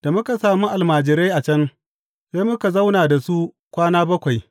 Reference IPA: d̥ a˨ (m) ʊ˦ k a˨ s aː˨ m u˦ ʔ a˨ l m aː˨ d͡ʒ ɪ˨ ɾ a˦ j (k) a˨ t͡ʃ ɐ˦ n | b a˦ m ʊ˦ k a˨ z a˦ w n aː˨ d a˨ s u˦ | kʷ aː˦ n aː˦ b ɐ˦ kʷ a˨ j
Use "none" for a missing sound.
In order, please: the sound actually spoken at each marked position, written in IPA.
m, ʔ

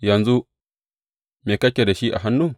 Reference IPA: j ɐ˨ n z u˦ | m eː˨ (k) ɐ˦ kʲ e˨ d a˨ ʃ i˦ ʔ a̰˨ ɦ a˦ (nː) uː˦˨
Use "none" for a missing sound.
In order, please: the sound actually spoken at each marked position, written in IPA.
k, nː

